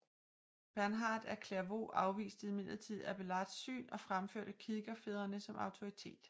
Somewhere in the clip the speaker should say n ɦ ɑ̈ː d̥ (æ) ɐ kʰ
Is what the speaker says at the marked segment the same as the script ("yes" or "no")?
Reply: yes